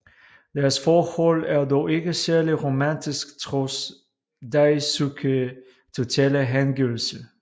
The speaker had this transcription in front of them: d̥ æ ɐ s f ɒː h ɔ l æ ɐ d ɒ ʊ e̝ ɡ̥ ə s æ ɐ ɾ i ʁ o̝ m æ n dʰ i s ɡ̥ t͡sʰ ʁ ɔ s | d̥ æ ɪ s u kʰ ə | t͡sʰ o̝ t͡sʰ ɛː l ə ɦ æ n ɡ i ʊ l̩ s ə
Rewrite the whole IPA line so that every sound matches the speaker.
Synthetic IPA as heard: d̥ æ ɐ s f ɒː h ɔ l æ ɐ d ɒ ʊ e̝ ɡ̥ ə s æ ɐ l i ʁ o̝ m æ n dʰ i s ɡ̥ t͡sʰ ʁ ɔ s | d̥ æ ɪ s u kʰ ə | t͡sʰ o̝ t͡sʰ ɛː l ə ɦ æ n ɡ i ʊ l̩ s ə